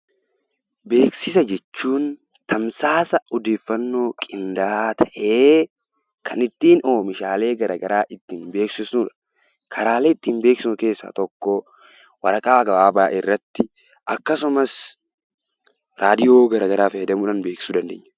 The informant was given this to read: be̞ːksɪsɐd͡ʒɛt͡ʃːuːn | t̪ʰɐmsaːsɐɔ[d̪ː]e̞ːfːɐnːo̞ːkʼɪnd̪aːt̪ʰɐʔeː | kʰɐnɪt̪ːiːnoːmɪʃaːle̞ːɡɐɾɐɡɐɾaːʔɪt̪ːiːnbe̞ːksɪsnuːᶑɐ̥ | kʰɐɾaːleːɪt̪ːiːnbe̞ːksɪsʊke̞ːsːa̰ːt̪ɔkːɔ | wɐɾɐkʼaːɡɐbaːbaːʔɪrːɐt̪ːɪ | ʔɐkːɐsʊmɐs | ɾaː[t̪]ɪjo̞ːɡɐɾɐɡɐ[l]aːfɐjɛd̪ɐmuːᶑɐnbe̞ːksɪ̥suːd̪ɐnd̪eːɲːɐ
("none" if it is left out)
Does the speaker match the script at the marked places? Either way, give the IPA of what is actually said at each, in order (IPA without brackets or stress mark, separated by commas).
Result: d̪, d̪, ɾ